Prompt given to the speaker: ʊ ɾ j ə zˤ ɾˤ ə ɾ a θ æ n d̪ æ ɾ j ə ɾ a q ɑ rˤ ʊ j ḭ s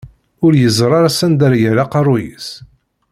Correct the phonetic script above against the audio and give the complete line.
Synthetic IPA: ʊ ɾ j ə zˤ ɾˤ ɑ ɾ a s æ n d̪ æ ɾ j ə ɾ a q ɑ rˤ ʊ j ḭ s